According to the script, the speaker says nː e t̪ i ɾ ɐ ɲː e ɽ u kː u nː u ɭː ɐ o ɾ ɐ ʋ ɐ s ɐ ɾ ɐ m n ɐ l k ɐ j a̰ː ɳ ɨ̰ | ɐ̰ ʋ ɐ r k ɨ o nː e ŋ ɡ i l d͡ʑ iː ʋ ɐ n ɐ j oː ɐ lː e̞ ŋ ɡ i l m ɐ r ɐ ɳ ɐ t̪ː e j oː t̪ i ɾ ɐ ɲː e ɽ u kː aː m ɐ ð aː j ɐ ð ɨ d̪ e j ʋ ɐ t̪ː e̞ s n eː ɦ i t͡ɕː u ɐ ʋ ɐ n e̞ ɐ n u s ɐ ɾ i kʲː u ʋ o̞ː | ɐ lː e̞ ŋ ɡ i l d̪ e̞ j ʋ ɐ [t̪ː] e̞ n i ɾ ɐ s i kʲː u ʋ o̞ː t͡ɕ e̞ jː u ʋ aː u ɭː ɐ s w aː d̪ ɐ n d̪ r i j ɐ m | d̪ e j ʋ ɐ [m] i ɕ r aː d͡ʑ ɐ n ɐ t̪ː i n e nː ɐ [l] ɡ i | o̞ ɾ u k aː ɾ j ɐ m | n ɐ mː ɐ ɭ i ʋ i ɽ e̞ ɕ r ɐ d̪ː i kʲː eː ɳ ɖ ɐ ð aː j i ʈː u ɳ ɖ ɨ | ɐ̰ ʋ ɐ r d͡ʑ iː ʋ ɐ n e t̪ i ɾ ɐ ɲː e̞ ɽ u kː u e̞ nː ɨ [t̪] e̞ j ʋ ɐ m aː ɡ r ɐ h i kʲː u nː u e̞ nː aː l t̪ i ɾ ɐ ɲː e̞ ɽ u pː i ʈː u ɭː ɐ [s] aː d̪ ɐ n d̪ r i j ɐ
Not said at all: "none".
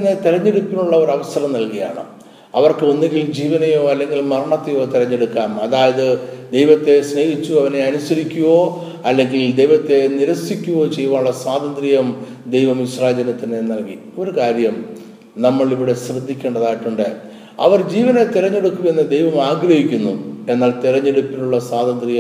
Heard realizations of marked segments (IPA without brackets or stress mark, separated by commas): t̪ː, m, l, d̪, s